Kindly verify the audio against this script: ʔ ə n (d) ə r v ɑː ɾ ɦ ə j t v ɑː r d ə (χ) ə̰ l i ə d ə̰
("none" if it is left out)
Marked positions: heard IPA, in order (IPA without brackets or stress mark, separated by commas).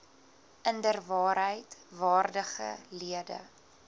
d, χ